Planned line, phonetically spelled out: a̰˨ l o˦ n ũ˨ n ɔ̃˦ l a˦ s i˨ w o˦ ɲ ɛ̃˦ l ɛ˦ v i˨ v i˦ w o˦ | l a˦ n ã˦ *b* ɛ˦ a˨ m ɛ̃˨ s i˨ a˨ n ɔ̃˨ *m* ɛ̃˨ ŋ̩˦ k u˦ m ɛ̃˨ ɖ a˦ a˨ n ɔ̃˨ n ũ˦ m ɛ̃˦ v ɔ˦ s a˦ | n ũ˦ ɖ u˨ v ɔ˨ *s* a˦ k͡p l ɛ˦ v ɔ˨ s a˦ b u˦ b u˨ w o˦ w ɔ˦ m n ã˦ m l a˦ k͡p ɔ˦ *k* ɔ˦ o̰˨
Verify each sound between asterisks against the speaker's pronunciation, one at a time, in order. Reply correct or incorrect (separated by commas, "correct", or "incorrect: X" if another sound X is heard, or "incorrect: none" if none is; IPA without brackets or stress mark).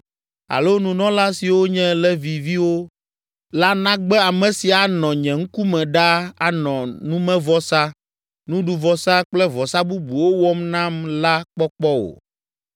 incorrect: ɡ͡b, incorrect: ɲ, correct, incorrect: k͡p